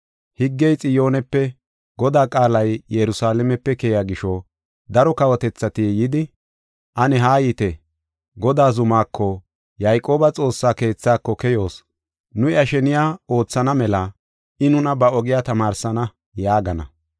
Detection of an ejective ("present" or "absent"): present